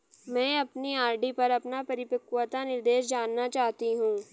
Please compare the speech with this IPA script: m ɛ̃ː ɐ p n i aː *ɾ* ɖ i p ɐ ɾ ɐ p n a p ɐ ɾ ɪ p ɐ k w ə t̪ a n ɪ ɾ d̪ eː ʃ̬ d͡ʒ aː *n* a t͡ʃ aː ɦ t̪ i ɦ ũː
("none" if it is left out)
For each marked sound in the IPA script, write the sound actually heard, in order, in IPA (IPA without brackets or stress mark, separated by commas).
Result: ɾ, nː